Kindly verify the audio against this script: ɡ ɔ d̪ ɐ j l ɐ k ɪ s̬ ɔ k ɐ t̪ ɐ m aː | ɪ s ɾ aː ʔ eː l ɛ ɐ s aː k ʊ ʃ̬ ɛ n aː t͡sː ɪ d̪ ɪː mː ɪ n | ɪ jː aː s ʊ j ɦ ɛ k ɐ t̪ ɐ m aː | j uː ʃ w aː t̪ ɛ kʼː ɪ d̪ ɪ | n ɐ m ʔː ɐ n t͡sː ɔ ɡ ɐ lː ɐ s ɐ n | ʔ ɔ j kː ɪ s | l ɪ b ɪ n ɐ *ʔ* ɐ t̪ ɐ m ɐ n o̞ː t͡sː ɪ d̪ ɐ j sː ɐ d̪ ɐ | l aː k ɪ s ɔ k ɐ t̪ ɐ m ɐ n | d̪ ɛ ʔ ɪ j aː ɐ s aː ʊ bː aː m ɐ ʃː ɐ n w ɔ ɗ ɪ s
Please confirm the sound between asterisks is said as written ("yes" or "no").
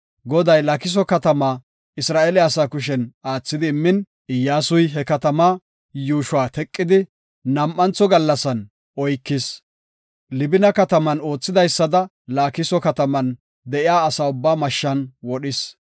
no